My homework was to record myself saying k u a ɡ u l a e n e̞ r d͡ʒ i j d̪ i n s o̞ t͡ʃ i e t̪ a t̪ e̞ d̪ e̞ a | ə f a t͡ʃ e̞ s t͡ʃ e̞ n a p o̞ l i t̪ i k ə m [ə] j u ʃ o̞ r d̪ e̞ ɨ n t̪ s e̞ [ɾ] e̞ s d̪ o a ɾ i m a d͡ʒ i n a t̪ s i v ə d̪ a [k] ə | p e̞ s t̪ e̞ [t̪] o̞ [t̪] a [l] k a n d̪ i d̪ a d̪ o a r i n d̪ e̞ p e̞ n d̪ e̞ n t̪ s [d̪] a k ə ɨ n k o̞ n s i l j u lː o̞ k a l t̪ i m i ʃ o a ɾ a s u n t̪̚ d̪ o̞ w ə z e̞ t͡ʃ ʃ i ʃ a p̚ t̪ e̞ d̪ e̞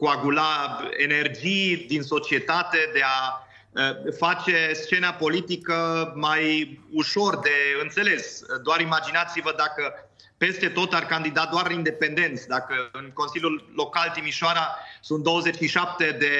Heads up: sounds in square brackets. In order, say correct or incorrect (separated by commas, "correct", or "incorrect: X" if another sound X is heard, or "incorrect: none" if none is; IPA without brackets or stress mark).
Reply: incorrect: a, incorrect: l, correct, correct, correct, incorrect: r, correct